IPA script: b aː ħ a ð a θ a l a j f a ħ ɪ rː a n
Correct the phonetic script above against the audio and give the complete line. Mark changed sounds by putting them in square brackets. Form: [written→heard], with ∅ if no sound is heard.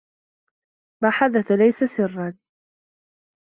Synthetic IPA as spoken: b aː ħ a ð a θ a l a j [f→s] a [ħ→s] ɪ rː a n